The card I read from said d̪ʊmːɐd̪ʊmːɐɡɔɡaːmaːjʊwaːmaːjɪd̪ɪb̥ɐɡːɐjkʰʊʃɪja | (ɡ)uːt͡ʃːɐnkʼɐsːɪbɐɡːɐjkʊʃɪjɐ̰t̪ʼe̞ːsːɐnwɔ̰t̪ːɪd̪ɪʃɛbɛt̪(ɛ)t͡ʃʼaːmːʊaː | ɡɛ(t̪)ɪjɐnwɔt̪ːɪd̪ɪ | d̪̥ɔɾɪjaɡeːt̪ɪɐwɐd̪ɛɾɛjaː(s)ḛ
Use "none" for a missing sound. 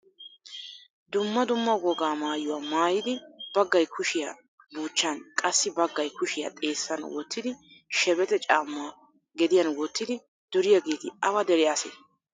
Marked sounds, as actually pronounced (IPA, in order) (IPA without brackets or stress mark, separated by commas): b, ɛ, d̪, s